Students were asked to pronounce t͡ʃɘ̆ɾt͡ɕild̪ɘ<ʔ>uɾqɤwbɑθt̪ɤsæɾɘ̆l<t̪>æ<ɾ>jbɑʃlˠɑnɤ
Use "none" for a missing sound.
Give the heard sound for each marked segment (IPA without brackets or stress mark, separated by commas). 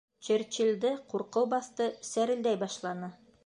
q, d̪, none